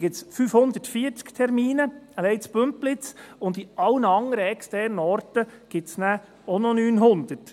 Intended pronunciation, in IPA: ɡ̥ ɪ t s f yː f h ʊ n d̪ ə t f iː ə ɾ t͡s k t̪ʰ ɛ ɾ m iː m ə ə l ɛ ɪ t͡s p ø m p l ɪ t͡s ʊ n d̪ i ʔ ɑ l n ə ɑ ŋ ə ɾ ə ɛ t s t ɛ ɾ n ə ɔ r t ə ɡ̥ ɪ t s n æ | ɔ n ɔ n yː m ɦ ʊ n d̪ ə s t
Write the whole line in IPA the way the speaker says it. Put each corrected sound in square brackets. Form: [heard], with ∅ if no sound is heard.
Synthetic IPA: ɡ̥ ɪ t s f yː f h ʊ n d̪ ə t f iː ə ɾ t͡s k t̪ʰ ɛ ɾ m iː [n] ə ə l ɛ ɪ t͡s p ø m p l ɪ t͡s ʊ n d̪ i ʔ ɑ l n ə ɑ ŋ ə ɾ ə ɛ [k] s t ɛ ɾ n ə ɔ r t ə ɡ̥ ɪ t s n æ | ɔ n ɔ n yː [n] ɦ ʊ n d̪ ə [∅] t